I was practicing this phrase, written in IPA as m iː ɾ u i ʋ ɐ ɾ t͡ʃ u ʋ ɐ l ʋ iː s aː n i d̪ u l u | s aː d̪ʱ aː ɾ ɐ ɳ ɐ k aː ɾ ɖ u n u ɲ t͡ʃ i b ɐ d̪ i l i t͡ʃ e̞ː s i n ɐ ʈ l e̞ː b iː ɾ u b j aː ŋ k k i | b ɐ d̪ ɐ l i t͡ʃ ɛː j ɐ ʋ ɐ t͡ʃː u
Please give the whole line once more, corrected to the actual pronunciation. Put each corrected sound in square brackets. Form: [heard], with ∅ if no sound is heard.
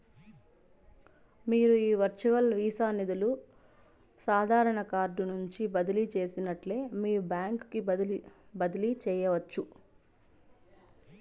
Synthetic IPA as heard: m iː ɾ u [iː] ʋ ɐ ɾ t͡ʃ u ʋ ɐ l ʋ iː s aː n i d̪ u l u | s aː d̪ʱ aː ɾ ɐ ɳ ɐ k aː ɾ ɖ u n u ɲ t͡ʃ i b ɐ d̪ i l i t͡ʃ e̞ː s i n ɐ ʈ l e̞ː [m] iː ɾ u b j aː ŋ k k i | b ɐ d̪ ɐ l i t͡ʃ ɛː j ɐ ʋ ɐ t͡ʃː u

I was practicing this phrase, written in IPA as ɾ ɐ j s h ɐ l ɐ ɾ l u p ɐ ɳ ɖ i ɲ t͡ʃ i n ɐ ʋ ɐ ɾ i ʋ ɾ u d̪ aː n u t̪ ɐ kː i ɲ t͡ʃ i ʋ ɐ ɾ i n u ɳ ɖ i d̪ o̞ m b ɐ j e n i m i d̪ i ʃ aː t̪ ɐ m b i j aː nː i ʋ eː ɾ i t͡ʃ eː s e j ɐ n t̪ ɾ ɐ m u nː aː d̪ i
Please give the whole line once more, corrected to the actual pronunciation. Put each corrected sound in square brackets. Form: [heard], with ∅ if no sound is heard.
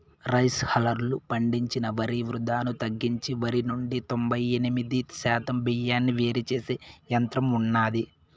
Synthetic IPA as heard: ɾ ɐ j s h ɐ l ɐ ɾ l u p ɐ ɳ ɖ i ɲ t͡ʃ i n ɐ ʋ ɐ ɾ i ʋ ɾ u d̪ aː n u t̪ ɐ [ɡː] i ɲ t͡ʃ i ʋ ɐ ɾ i n u ɳ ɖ i [t̪] o̞ m b ɐ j e n i m i d̪ i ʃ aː t̪ ɐ m b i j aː nː i ʋ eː ɾ i t͡ʃ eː s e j ɐ n t̪ ɾ ɐ m u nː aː d̪ i

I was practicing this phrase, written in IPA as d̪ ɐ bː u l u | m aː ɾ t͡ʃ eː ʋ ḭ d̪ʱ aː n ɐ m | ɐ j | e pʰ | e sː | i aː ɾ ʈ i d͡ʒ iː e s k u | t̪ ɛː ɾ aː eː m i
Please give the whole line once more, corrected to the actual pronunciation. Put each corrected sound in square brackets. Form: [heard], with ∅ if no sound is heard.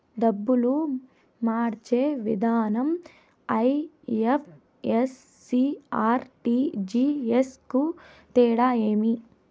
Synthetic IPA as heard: d̪ ɐ bː u l u | m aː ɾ t͡ʃ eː ʋ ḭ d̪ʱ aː n ɐ m | ɐ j | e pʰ | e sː | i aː ɾ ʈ i d͡ʒ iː e s k u | t̪ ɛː [ɽ] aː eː m i

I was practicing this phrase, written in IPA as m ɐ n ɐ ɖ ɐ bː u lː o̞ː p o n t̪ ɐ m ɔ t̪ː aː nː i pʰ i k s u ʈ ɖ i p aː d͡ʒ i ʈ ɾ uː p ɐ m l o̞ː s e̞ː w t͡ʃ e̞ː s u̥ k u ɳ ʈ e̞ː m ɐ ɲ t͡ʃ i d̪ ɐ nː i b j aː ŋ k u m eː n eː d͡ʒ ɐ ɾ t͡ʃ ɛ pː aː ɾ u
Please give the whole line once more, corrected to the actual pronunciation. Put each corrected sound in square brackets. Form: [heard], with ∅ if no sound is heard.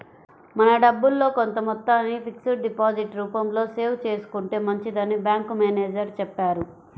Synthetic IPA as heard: m ɐ n ɐ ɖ ɐ bː u lː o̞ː [k] o n t̪ ɐ m ɔ t̪ː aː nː i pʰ i k s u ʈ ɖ i p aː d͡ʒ i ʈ ɾ uː p ɐ m l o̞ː s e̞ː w t͡ʃ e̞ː s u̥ k u ɳ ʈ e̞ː m ɐ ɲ t͡ʃ i d̪ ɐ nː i b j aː ŋ k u m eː n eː d͡ʒ ɐ ɾ t͡ʃ ɛ pː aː ɾ u

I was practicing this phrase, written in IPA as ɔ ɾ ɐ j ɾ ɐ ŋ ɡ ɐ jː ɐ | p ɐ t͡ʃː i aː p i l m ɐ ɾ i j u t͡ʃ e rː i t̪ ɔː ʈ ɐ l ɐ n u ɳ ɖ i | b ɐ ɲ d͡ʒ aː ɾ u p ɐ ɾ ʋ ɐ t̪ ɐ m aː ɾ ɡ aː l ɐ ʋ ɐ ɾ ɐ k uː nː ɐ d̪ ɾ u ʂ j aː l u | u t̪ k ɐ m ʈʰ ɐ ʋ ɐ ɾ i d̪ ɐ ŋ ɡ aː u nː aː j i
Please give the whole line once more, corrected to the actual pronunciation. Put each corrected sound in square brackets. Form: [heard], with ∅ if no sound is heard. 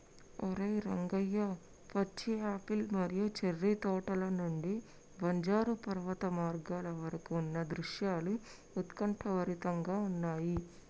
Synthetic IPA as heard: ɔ ɾ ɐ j ɾ ɐ ŋ ɡ ɐ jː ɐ | p ɐ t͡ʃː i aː p i l m ɐ ɾ i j u t͡ʃ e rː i t̪ ɔː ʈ ɐ l ɐ n u ɳ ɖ i | b ɐ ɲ d͡ʒ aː ɾ u p ɐ ɾ ʋ ɐ t̪ ɐ m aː ɾ ɡ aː l ɐ ʋ ɐ ɾ ɐ k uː nː ɐ d̪ ɾ u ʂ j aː l u | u t̪ k ɐ [ɳ] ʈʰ ɐ ʋ ɐ ɾ i [t̪] ɐ ŋ ɡ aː u nː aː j i

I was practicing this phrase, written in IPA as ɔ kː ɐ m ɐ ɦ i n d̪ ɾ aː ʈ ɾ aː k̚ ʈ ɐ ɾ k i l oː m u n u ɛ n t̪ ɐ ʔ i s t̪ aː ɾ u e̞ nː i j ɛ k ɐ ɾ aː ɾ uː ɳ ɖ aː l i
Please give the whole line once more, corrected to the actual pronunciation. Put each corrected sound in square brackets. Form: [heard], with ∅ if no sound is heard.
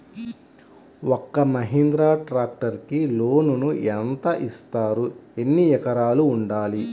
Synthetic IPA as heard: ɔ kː ɐ m ɐ ɦ i n d̪ ɾ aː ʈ ɾ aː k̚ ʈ ɐ ɾ k i l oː [n] u n u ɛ n t̪ ɐ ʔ i s t̪ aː ɾ u e̞ nː i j ɛ k ɐ ɾ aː [l] uː ɳ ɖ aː l i

